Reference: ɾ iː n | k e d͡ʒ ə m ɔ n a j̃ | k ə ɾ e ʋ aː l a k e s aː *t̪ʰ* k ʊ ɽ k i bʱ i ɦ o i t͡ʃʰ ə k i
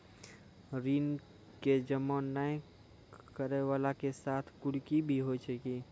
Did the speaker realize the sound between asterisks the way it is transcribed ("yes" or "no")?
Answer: yes